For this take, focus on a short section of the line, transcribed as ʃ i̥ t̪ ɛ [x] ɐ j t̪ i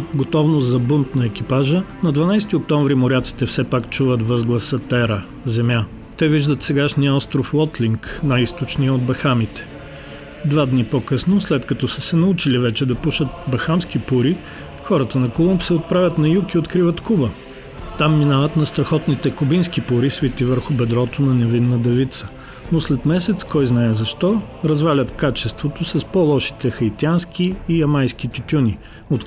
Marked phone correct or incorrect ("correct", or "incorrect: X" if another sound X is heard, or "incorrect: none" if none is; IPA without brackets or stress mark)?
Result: correct